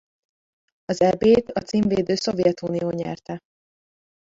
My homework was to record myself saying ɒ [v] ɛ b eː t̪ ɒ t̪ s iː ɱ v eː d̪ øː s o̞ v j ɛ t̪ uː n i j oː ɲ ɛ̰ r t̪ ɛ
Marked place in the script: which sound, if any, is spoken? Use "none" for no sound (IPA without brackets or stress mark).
z